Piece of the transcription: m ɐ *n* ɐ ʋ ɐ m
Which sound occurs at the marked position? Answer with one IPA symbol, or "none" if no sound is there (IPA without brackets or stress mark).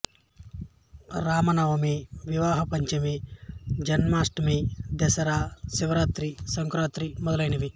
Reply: n